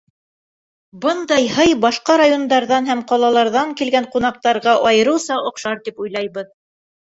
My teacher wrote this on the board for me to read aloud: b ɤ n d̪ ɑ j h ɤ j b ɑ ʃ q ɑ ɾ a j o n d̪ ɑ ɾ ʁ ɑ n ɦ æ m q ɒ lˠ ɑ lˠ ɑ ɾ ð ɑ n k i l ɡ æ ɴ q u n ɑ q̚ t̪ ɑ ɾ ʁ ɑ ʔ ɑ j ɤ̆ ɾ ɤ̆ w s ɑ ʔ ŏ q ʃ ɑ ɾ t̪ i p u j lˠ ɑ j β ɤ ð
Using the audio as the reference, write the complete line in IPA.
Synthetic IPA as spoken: b ɤ n d̪ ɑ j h ɤ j b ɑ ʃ q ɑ ɾ a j o n d̪ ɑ ɾ ð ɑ n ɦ æ m q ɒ lˠ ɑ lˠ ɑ ɾ ð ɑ ŋ k i l ɡ æ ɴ q u n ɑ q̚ t̪ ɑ ɾ ʁ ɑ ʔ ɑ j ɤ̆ ɾ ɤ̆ w s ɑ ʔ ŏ q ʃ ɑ ɾ t̪ i p u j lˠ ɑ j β ɤ ð